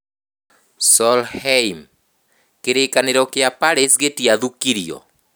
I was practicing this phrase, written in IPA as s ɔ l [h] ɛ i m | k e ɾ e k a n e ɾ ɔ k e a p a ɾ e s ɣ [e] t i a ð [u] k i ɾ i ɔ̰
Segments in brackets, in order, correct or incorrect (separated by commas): correct, correct, correct